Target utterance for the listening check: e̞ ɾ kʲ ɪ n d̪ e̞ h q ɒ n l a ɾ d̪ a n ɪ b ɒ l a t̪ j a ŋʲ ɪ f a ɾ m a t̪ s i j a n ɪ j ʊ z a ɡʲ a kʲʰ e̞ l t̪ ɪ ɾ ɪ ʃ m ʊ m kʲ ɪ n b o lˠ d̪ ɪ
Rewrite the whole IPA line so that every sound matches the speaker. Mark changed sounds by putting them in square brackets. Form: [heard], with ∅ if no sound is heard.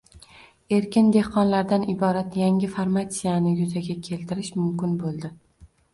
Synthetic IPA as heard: e̞ ɾ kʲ ɪ n d̪ e̞ h q ɒ n l a ɾ d̪ a n ɪ b ɒ [ɾ] a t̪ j a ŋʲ ɪ f a ɾ m a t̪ s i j a n ɪ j ʊ z a ɡʲ a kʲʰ e̞ l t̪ ɪ ɾ ɪ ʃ m ʊ m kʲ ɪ n b o lˠ d̪ ɪ